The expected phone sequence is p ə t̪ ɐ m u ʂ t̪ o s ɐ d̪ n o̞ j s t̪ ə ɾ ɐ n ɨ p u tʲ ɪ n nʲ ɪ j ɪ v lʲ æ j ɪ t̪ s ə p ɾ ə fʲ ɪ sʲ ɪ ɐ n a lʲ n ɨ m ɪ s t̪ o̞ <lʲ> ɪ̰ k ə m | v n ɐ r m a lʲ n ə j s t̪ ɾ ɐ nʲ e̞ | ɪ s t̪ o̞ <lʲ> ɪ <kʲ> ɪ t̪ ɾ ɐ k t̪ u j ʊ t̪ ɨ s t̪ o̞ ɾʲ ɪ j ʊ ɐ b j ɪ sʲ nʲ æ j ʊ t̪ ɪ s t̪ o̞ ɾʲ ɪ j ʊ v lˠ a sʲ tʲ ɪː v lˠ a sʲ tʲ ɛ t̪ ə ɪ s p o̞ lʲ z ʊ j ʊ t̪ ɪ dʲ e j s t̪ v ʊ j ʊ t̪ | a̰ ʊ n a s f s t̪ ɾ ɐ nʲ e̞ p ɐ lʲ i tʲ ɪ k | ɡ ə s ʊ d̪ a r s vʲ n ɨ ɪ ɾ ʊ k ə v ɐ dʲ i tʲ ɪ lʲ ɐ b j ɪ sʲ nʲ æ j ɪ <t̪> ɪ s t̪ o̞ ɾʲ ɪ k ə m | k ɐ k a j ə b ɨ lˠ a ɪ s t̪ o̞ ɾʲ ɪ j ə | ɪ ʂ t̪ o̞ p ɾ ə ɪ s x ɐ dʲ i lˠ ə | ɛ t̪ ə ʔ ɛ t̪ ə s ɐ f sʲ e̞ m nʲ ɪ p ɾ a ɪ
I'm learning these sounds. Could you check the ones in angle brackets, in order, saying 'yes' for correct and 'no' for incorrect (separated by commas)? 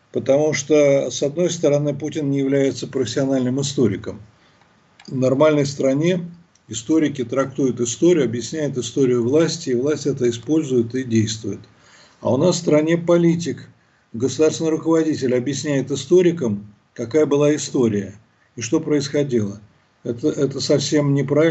no, no, yes, yes